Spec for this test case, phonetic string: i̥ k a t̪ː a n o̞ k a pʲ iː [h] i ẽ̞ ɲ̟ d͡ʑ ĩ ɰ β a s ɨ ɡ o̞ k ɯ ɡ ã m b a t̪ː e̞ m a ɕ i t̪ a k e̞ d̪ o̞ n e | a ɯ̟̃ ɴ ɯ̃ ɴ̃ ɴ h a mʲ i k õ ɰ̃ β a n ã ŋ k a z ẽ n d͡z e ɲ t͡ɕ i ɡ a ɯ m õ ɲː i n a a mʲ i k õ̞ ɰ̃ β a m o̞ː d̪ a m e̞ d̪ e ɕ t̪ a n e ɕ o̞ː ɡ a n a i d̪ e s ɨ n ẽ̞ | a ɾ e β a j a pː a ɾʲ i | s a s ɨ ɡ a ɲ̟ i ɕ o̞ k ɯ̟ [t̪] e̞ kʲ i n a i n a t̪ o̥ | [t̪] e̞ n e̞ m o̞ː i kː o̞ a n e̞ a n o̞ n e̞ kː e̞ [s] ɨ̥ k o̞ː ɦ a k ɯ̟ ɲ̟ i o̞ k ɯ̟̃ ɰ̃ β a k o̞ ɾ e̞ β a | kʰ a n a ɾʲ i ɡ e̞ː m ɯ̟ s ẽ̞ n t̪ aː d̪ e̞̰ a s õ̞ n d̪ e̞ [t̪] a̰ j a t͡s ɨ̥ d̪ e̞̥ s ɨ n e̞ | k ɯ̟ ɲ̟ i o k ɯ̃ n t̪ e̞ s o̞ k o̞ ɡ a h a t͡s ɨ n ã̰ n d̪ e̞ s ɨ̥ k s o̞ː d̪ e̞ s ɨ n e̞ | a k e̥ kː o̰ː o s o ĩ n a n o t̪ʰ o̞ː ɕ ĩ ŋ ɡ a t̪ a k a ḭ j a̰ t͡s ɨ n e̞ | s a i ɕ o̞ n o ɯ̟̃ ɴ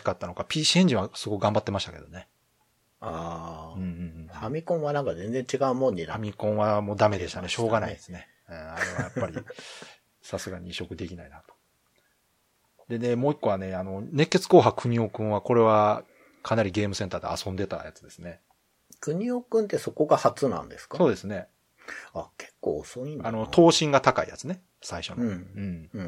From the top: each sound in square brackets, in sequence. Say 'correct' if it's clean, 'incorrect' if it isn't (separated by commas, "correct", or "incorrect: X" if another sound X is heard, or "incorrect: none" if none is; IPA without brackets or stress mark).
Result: incorrect: ɕ, incorrect: d̪, incorrect: d̪, incorrect: t͡s, correct